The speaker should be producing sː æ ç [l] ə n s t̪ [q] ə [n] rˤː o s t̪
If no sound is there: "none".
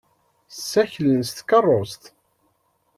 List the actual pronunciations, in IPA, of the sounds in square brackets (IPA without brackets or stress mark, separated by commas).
l, k, none